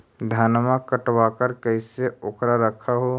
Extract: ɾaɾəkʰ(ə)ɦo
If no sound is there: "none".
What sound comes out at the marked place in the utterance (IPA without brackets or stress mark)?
a